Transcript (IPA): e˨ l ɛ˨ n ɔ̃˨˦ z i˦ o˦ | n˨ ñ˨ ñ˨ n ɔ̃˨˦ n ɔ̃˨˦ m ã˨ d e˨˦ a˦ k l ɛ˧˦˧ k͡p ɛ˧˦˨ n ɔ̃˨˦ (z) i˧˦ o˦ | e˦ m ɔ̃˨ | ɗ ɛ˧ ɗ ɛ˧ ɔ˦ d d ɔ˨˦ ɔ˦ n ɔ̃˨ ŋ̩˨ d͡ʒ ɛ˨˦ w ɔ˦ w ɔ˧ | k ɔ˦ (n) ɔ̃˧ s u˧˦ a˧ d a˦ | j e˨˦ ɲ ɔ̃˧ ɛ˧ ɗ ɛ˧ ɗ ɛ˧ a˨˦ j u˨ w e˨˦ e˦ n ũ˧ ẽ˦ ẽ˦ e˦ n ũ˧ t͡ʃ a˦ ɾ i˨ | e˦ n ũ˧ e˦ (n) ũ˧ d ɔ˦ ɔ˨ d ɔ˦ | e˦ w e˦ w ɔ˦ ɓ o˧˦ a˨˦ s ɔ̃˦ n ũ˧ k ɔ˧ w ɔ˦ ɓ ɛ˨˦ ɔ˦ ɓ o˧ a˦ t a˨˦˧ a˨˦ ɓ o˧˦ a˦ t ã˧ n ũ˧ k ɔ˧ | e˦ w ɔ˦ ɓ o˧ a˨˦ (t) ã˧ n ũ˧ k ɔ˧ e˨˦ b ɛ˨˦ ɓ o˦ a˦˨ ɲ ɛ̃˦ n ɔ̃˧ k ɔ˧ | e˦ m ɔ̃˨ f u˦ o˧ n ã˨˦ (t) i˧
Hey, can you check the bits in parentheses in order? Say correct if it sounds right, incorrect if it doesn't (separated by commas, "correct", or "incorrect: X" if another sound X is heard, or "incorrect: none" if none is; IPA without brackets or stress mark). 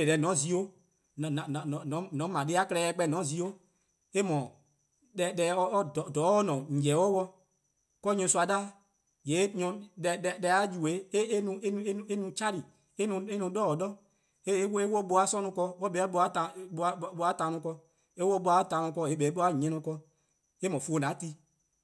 correct, incorrect: ɲ, correct, correct, correct